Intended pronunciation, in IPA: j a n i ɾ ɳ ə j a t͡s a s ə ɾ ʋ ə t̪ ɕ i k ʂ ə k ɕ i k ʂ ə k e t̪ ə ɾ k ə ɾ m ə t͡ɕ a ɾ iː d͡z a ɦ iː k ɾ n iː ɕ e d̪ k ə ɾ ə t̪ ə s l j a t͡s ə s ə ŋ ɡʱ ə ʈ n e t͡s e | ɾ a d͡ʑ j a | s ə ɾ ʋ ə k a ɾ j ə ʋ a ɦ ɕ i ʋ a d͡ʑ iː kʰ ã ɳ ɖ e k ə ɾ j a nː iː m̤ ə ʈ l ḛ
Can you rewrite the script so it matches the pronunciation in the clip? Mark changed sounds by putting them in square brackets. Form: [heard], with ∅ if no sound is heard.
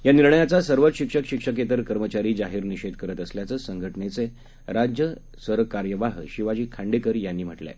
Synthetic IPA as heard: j a n i ɾ ɳ ə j a t͡s a s ə ɾ ʋ ə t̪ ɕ i k ʂ ə k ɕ i k ʂ ə k e t̪ ə ɾ k ə ɾ m ə t͡ɕ a ɾ iː d͡z a ɦ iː [∅] ɾ n [i] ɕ e d̪ k ə ɾ ə t̪ ə s l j a t͡s ə s ə ŋ ɡʱ ə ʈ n e t͡s e | ɾ a d͡ʑ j [ə] | s ə ɾ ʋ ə k a ɾ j ə ʋ a ɦ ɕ i ʋ a d͡ʑ iː kʰ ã ɳ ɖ e k ə ɾ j a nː iː m̤ ə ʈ l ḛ